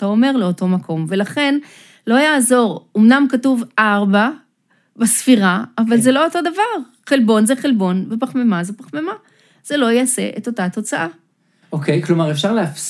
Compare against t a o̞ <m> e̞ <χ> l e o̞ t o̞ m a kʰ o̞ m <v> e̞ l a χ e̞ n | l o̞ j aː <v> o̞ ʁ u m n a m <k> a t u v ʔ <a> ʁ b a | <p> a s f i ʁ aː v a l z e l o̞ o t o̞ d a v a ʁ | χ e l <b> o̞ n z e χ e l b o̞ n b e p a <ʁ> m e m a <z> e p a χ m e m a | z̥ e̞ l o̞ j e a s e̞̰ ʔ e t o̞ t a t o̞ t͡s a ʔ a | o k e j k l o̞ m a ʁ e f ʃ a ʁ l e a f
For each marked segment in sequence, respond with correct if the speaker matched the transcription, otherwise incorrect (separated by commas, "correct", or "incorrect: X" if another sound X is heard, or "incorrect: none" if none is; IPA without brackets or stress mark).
correct, incorrect: ʁ, correct, incorrect: z, correct, correct, incorrect: b, correct, incorrect: χ, correct